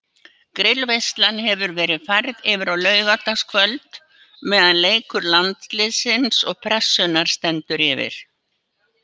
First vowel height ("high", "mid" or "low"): high